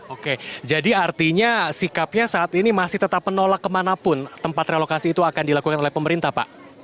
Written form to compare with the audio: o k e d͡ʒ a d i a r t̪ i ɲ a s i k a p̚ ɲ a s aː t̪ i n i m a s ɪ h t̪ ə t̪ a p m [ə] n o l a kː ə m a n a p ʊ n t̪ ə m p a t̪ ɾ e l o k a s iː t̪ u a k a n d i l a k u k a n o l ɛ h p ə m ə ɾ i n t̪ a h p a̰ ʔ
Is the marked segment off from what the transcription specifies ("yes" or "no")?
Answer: no